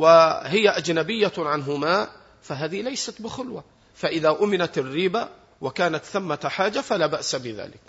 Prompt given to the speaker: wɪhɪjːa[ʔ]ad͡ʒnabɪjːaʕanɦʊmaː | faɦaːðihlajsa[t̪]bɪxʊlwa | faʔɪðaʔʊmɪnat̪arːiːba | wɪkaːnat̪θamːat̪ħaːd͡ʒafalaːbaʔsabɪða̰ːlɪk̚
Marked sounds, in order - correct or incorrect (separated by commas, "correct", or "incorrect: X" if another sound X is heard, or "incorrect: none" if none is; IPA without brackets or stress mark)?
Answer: correct, correct